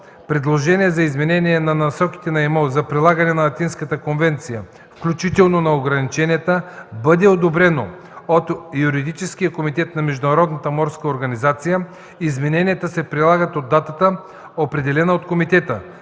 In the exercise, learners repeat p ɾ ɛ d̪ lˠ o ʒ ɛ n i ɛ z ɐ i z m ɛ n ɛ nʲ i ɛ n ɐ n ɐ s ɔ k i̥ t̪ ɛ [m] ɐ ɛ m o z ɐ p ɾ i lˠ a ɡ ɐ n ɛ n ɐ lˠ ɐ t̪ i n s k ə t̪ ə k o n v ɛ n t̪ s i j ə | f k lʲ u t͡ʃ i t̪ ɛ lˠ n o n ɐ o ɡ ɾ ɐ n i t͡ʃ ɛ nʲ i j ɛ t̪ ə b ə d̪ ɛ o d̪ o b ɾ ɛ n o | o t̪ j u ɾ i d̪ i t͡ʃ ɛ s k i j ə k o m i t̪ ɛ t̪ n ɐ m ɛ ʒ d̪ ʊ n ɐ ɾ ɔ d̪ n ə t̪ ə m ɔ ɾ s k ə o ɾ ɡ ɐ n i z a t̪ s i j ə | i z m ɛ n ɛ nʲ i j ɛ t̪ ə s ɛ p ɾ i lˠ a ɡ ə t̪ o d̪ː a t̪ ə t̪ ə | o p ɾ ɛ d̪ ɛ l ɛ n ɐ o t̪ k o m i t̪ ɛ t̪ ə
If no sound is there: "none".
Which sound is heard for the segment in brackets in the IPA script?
n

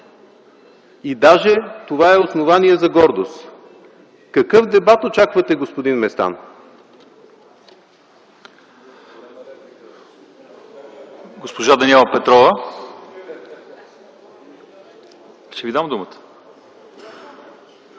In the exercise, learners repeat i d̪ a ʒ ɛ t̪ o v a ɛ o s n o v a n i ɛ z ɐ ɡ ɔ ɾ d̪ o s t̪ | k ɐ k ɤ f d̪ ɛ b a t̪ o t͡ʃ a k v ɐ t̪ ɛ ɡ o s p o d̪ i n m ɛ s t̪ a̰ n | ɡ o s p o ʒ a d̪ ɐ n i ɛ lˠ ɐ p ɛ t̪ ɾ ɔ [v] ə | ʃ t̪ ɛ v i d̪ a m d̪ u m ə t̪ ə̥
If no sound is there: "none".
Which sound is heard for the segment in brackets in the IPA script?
v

